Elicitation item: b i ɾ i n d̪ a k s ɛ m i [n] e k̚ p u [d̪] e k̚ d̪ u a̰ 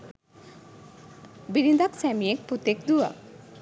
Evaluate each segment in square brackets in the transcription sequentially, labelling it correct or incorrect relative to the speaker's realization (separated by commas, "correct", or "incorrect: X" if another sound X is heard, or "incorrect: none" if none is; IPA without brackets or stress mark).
incorrect: none, incorrect: t̪